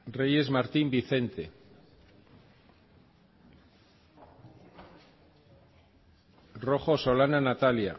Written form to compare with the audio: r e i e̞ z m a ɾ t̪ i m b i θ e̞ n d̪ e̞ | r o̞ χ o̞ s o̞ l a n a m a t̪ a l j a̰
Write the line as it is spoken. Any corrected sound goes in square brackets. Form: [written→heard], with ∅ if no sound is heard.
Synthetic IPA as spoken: r e [i→j] e̞ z m a ɾ t̪ i m b i θ e̞ n [d̪→t̪] e̞ | r o̞ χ o̞ s o̞ l a n a [m→n] a t̪ a l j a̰